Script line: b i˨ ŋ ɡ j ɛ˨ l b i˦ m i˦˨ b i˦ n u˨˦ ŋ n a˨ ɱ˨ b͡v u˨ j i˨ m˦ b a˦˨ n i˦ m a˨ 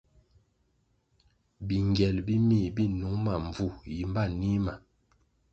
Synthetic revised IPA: b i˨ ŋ ɡ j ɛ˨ l b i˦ m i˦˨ b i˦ n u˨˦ ŋ m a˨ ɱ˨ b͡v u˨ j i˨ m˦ b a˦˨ n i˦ m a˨